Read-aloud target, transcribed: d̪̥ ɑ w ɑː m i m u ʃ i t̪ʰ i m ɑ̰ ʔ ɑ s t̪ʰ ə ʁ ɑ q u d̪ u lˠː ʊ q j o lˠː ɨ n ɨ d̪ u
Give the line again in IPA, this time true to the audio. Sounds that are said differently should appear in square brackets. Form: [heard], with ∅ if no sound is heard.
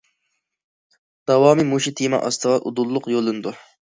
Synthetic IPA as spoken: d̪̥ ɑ w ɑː m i m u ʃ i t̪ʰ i m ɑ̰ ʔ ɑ s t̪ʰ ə ʁ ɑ [ʔ] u d̪ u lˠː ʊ q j o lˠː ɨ n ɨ d̪ u